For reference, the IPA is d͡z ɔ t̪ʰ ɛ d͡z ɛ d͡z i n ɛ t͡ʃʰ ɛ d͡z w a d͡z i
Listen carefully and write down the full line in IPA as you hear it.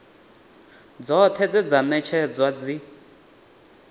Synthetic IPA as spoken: d͡z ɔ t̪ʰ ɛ d͡z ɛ d͡z a n ɛ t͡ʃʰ ɛ d͡z w a d͡z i